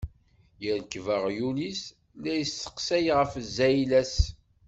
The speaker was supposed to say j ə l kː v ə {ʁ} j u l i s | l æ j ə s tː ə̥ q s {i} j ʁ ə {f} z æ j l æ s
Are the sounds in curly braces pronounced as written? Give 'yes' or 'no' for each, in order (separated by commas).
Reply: yes, no, yes